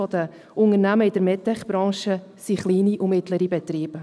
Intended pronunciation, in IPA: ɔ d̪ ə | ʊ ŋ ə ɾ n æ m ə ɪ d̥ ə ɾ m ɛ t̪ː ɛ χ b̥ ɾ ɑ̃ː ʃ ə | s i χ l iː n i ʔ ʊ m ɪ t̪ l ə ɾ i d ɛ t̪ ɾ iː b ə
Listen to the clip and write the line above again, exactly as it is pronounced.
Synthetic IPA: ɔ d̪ ə | ʊ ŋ ə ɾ n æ m ə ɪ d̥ ə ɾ m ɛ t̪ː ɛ χ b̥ ɾ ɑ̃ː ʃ ə | s i χ l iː n i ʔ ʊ m ɪ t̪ l ə ɾ i b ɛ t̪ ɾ iː b ə

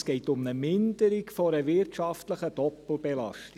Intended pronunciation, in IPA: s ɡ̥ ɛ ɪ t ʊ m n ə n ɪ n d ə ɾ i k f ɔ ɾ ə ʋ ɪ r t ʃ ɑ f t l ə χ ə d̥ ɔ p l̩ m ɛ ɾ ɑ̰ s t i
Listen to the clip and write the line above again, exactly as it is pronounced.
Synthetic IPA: s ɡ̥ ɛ ɪ t ʊ m n ə m ɪ n d ə ɾ i k f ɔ ɾ ə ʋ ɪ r t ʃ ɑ f t l ə χ ə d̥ ɔ p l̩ b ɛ l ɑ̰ ʃ t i

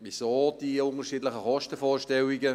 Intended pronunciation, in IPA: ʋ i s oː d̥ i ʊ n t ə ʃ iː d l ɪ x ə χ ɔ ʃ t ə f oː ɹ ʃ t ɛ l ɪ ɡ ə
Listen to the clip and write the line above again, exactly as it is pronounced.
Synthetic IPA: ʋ i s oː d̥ i ʊ n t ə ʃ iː d l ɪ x ə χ ɔ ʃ t ə f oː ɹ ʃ t ɛ l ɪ ɡ ə

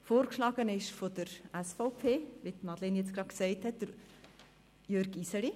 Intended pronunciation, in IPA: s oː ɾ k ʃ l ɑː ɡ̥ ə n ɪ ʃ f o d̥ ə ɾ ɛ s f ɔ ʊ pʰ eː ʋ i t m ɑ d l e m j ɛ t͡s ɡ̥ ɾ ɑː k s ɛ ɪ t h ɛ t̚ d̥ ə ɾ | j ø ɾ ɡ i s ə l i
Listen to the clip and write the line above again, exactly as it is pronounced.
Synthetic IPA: f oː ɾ k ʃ l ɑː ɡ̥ ə n ɪ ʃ f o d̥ ə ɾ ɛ s f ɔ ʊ pʰ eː ʋ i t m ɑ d l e n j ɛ t͡s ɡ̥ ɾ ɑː k s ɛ ɪ t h ɛ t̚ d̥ ə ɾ | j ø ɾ ɡ i s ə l i

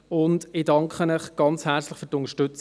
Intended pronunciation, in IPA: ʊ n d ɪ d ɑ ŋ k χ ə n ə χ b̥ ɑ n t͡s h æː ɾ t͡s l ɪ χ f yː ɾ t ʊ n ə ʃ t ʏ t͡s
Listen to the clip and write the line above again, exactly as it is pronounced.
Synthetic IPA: ʊ n d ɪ d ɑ ŋ k χ ə n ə χ ɡ̥ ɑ n t͡s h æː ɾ t͡s l ɪ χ f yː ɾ t ʊ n ə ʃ t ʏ t͡s

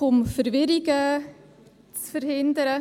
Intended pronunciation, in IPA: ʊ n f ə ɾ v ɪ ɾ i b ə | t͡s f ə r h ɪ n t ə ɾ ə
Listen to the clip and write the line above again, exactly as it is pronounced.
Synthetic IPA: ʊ m f ə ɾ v ɪ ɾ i ɡ ə | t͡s f ə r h ɪ n d ə ɾ ə

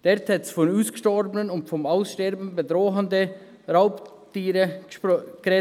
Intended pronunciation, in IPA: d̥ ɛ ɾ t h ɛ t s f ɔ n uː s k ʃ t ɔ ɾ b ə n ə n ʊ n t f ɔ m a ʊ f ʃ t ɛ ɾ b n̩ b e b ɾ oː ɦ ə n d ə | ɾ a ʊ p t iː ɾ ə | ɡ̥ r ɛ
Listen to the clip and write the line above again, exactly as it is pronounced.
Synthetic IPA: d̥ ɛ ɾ t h ɛ t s f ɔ n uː s k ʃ t ɔ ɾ b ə n ə n ʊ n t f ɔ m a ʊ s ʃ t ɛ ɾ b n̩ b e d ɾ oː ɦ ə n d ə | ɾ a ʊ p t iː ɾ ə | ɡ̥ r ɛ

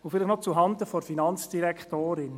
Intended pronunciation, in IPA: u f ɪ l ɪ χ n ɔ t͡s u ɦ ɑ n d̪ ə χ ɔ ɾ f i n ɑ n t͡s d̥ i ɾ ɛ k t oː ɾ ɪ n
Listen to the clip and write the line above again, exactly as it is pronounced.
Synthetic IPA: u f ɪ l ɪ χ n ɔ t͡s u ɦ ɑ n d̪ ə f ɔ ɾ f i n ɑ n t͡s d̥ i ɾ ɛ k t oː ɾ ɪ n

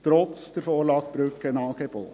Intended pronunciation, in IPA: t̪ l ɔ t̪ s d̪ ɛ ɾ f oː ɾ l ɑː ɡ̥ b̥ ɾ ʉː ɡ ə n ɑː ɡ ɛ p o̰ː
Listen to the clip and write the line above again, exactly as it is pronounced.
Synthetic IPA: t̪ ɾ ɔ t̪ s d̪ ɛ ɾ f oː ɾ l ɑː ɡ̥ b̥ ɾ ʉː k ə n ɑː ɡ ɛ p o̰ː

